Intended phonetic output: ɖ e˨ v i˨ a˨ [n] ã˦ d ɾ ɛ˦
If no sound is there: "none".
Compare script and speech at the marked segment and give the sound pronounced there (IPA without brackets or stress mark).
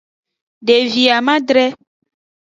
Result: m